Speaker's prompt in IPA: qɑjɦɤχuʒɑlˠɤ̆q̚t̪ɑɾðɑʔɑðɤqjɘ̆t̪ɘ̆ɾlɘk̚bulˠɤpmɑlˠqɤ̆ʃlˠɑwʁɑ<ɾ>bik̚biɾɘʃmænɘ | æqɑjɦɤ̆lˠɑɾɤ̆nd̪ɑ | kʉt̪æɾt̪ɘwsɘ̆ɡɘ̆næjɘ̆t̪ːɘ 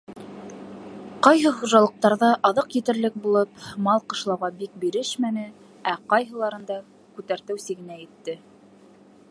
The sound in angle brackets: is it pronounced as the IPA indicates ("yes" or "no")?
no